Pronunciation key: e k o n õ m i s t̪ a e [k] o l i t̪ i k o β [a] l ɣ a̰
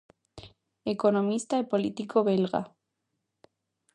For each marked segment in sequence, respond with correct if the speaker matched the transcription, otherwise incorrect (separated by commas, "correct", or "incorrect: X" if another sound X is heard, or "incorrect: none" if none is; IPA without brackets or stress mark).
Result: incorrect: p, incorrect: e